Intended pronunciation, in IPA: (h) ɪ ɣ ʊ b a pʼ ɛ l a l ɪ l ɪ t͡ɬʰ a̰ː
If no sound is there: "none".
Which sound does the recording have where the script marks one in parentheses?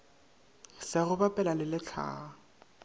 s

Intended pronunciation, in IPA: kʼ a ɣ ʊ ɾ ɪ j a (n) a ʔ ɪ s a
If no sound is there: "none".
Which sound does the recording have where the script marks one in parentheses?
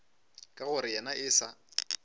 n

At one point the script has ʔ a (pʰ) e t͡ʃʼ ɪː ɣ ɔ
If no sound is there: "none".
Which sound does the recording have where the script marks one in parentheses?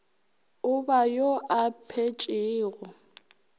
pʰ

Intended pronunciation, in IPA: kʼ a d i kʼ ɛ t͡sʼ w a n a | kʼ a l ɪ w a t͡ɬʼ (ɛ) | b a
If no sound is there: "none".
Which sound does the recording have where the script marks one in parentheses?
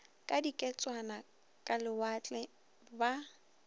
ɛ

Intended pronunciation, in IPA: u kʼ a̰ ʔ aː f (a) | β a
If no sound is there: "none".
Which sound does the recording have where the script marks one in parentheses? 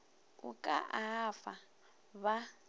a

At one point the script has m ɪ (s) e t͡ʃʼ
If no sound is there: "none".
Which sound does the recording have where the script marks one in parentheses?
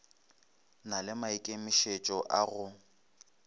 ʃ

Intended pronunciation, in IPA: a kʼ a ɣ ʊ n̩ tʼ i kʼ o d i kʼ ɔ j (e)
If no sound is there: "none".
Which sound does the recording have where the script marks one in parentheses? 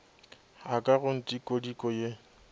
e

